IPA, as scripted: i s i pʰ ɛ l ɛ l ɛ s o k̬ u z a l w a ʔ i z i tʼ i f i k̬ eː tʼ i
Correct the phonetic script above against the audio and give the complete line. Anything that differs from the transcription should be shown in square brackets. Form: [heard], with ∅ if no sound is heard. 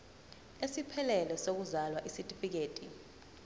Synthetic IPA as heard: [e] s i pʰ ɛ l ɛ l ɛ s o k̬ u z a l w a ʔ i [s] i tʼ i f i k̬ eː tʼ i